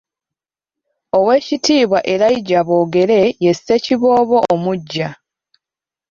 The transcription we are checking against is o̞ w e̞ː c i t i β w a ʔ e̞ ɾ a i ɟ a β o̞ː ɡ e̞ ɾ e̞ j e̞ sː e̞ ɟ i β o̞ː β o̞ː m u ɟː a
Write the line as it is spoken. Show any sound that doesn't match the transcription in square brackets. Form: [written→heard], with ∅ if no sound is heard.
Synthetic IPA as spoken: o̞ w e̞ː c i t [i→iː] β w a ʔ e̞ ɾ a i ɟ a β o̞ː ɡ e̞ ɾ e̞ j e̞ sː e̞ [ɟ→c] i β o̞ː β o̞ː m u ɟː a